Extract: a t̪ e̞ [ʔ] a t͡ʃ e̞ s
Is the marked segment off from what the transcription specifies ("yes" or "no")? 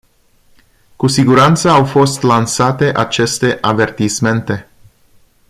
no